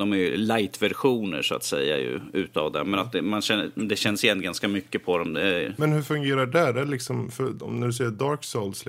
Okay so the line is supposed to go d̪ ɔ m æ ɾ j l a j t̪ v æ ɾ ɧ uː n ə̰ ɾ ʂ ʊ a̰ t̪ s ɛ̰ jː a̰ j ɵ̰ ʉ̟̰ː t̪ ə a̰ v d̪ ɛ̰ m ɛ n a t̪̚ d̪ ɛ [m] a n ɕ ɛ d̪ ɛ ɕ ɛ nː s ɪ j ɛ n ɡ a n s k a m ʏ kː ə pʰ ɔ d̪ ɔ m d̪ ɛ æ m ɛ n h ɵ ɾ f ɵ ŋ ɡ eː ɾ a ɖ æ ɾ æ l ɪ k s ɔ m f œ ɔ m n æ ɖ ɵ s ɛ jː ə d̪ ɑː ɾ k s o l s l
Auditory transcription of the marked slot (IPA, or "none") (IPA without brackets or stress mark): m